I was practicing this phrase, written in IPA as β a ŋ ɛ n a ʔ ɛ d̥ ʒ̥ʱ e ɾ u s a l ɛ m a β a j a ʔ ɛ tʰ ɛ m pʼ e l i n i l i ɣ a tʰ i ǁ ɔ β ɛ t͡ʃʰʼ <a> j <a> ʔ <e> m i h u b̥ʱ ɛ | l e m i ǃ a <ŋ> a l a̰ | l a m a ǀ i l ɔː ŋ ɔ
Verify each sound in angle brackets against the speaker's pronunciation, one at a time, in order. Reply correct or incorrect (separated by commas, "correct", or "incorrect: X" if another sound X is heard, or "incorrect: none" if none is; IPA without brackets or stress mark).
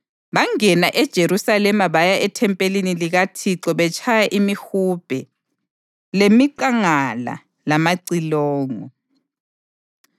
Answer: correct, correct, incorrect: i, correct